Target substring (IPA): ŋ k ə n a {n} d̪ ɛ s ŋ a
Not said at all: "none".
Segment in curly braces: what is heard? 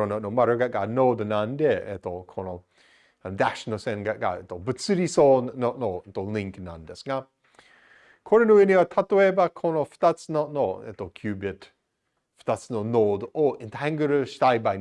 n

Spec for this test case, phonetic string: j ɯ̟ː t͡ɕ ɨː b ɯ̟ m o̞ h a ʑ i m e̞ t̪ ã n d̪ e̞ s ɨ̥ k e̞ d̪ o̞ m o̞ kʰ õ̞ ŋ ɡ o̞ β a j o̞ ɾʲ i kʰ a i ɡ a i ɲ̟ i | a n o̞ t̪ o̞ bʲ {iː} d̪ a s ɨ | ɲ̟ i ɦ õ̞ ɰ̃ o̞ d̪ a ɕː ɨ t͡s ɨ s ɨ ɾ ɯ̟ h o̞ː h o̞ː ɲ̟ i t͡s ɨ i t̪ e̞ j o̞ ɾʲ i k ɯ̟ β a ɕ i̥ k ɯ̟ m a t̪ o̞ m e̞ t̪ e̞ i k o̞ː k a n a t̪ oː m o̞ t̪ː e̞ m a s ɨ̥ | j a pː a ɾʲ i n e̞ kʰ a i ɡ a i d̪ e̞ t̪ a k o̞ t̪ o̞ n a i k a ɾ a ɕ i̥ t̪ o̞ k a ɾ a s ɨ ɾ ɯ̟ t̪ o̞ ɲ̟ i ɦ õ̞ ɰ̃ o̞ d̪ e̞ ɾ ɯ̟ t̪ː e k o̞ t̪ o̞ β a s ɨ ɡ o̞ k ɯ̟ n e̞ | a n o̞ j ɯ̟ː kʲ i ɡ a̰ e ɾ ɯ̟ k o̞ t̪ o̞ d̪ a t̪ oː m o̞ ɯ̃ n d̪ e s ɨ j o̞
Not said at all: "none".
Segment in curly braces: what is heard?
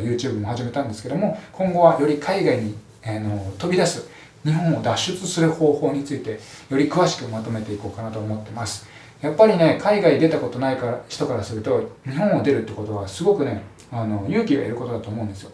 i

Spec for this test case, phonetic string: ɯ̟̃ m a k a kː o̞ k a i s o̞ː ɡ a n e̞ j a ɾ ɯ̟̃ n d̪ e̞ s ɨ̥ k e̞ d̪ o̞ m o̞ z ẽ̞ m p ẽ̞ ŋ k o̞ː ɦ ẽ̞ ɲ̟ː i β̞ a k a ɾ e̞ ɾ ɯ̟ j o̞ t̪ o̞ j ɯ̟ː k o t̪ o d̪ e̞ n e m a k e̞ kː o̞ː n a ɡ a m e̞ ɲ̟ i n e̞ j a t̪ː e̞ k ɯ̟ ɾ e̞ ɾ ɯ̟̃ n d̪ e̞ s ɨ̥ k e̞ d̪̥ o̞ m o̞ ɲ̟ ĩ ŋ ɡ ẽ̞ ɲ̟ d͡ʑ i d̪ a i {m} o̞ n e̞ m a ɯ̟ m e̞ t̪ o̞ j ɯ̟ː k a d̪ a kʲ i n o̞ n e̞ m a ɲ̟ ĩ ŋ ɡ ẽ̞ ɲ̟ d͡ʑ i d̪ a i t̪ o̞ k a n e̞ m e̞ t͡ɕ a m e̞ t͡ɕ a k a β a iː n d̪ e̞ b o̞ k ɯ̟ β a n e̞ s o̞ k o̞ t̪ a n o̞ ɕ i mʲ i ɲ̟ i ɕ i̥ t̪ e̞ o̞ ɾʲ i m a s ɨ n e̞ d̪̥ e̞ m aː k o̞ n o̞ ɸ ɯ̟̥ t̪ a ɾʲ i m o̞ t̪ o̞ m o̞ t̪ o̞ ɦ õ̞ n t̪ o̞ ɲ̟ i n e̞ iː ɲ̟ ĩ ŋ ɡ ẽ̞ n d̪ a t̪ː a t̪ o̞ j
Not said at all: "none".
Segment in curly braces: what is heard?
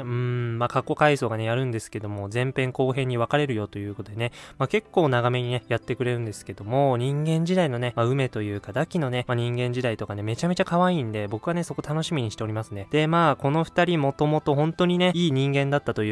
n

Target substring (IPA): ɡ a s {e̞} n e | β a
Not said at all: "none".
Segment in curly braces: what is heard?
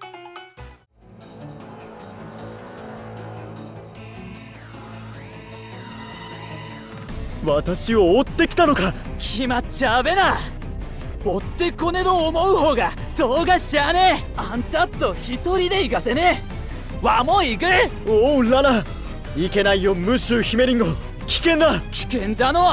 e̞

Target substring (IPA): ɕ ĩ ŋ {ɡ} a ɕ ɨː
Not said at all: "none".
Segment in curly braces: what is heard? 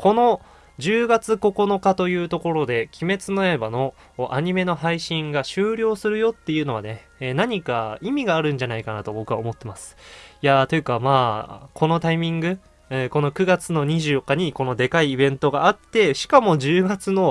ɡ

